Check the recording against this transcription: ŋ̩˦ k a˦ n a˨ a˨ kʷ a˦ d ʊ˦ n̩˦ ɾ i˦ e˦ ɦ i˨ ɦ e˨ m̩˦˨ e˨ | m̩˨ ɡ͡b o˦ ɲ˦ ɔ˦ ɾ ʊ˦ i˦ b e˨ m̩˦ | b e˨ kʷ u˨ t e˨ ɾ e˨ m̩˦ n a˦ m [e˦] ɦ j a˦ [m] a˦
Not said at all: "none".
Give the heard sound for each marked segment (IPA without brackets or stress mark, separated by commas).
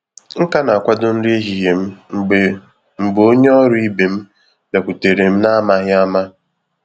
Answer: a˦, m